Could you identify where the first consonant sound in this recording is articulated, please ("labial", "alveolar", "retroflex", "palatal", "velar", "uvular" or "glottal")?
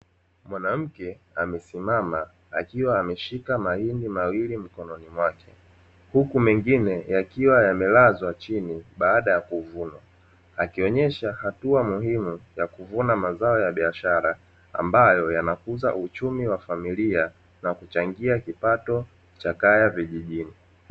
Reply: labial